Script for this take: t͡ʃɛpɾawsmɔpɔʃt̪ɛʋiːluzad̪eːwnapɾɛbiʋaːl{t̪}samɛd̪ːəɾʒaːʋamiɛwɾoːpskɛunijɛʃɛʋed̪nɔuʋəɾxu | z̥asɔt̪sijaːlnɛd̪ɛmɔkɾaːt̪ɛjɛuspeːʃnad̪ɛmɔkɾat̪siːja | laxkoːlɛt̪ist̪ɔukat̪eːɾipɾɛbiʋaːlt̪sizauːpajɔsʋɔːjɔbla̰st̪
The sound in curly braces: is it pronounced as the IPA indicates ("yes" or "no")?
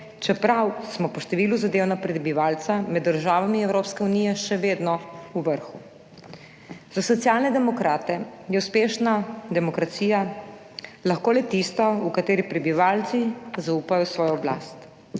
yes